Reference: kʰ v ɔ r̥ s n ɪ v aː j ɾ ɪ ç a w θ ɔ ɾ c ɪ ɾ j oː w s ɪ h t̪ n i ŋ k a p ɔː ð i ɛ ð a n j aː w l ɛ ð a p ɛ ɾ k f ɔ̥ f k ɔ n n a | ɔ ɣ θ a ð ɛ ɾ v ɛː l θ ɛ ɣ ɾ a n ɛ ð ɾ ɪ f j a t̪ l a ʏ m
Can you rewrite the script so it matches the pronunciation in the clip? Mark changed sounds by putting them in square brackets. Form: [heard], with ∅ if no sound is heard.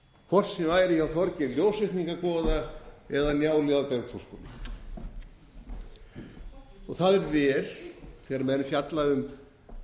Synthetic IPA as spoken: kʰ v ɔ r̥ s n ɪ v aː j ɾ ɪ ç a w θ ɔ ɾ c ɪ [l] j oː w s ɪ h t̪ n i ŋ k a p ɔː ð [a] ɛ ð a n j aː w l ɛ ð a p ɛ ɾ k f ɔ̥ [s] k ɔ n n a | ɔ ɣ θ a ð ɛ ɾ v ɛː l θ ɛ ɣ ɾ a [m] ɛ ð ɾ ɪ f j a t̪ l a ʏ m